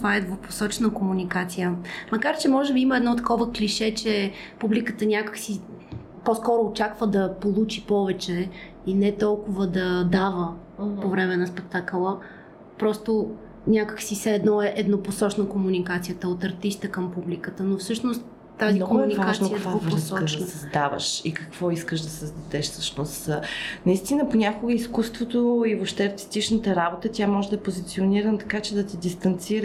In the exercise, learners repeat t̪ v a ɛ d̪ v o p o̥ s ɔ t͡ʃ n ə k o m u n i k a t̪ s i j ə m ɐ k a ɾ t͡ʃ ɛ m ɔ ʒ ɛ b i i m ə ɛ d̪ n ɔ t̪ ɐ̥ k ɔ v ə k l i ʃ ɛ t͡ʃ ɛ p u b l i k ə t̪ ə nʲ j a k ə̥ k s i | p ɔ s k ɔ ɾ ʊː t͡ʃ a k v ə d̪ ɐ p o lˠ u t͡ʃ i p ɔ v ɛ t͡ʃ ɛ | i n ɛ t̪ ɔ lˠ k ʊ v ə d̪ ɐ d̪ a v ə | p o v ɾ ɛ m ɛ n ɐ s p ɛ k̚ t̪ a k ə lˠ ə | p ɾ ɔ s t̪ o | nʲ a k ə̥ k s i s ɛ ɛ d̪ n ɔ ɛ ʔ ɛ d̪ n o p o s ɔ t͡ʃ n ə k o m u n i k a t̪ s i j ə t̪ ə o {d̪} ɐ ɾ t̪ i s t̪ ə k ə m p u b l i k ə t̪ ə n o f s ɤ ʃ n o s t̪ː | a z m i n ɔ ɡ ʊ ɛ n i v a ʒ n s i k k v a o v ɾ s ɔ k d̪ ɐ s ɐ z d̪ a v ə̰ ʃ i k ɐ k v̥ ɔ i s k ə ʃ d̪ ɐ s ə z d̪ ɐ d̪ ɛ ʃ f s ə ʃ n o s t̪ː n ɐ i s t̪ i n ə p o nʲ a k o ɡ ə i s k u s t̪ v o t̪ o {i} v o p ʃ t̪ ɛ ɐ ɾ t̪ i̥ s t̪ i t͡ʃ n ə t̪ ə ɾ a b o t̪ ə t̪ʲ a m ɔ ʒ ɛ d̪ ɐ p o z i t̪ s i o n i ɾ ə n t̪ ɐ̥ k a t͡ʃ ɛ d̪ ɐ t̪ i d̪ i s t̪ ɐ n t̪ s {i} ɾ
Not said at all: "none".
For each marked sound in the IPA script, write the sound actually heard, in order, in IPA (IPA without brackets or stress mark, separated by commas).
t̪, i, i